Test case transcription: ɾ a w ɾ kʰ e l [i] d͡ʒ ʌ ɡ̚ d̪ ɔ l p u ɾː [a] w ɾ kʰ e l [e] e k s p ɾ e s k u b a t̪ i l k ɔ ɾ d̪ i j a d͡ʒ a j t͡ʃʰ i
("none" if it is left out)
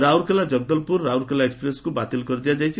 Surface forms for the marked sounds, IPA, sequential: a, a, a

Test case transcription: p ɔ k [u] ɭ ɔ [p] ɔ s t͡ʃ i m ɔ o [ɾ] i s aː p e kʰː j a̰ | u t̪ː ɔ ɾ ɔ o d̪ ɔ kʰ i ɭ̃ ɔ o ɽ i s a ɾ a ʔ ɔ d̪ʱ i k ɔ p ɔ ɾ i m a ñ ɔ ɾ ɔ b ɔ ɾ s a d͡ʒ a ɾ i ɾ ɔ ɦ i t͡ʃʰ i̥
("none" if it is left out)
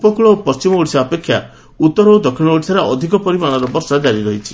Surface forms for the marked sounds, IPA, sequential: u, p, ɽ

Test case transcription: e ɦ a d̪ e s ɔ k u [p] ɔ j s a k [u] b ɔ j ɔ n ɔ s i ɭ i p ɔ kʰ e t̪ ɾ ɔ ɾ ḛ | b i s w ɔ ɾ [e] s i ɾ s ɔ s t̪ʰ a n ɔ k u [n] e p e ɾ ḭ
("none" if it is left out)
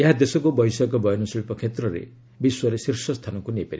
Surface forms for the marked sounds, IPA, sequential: b, ɔ, e, n

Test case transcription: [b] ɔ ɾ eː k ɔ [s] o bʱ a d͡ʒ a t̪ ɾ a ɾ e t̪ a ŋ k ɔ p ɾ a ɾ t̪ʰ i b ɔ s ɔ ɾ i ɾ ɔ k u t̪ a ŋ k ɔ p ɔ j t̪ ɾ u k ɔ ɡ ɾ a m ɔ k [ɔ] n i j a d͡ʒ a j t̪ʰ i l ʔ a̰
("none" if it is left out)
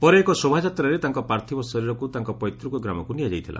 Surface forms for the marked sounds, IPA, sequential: p, s, u

